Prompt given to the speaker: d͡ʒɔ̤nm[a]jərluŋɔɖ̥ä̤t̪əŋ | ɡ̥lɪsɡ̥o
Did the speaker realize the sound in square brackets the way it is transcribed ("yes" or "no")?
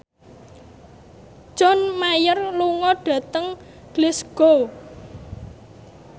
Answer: yes